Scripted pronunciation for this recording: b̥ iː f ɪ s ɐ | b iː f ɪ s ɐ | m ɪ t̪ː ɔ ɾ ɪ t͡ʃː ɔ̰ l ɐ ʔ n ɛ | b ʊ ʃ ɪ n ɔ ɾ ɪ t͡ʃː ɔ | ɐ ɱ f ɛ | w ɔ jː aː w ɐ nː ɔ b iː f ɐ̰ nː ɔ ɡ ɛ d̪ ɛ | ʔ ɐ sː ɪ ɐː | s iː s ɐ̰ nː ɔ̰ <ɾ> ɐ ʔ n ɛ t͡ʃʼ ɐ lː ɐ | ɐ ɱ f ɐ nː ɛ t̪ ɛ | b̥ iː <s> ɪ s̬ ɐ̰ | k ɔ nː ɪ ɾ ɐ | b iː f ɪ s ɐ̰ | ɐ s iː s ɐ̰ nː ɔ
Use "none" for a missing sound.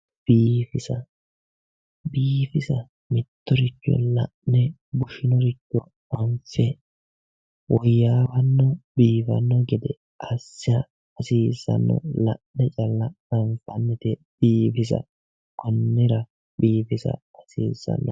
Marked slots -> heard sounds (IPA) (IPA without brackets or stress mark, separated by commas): l, f